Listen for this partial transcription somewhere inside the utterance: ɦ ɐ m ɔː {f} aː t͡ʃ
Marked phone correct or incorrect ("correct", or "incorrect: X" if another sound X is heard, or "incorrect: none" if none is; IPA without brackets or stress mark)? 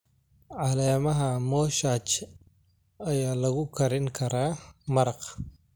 incorrect: ʃ